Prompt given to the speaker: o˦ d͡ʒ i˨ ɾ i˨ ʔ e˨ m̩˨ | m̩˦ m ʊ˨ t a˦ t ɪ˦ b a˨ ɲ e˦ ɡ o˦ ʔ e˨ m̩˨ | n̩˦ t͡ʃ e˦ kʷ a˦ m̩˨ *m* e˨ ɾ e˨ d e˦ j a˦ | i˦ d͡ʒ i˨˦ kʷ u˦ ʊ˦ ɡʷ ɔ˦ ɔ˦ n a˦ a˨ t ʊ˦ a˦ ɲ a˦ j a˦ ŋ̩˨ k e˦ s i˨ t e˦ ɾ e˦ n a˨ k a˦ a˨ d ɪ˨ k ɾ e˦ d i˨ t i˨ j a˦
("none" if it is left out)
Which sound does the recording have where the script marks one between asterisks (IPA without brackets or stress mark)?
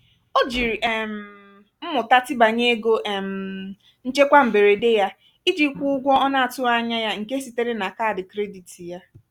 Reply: b